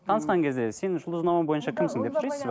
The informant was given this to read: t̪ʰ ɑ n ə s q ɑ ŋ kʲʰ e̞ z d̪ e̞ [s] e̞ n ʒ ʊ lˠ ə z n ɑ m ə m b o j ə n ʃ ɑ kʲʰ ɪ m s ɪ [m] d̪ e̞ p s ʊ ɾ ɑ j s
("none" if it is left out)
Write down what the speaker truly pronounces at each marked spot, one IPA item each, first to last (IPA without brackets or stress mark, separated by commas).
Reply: s, ŋ